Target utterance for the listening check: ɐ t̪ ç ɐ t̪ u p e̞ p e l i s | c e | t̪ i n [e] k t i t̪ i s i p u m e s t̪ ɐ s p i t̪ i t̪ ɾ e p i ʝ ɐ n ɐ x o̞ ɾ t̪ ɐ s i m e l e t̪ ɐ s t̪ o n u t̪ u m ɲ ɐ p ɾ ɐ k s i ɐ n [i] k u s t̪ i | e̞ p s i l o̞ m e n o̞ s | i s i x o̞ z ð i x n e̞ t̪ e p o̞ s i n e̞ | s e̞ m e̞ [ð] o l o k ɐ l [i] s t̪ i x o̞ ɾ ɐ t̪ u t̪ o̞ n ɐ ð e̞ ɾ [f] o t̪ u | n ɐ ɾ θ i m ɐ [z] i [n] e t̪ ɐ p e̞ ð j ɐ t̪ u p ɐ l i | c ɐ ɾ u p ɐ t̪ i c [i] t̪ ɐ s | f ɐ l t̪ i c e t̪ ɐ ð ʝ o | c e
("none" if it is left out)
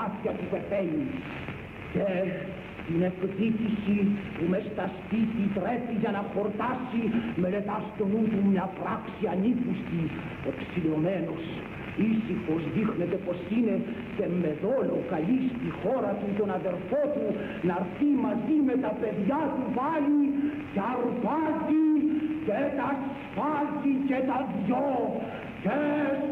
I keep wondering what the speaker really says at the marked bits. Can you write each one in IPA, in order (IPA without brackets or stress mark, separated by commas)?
e, i, ð, i, f, z, m, e